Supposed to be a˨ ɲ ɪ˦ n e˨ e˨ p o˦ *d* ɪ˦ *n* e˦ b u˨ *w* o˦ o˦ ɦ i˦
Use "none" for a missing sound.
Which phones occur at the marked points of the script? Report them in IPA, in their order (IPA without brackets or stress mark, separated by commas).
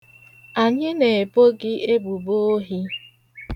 ɡ, none, b